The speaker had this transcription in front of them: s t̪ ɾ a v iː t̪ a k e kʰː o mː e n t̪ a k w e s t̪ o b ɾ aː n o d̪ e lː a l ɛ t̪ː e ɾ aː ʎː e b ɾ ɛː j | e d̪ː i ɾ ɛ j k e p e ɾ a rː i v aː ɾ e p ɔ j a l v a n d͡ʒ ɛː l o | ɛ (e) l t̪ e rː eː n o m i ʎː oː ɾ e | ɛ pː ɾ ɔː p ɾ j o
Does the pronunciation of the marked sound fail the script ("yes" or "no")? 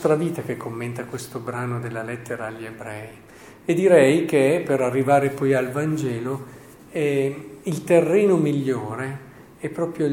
yes